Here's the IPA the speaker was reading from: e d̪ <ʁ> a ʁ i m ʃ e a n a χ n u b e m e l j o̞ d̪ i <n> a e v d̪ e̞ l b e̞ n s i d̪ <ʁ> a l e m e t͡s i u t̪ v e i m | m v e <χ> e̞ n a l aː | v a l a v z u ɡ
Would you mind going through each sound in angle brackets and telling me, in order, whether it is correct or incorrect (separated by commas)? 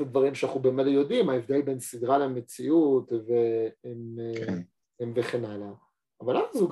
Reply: incorrect, incorrect, correct, correct